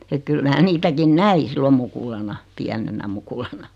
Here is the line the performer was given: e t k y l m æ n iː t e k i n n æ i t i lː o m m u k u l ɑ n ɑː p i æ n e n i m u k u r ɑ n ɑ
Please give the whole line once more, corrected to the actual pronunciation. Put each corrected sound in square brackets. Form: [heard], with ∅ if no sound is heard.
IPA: e t k y l m [æː] n iː t [æ] k i n n æ i [s] i lː o m m u k u l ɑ n [ɑ] p i æ n e n [æ] m u k u [l] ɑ n ɑ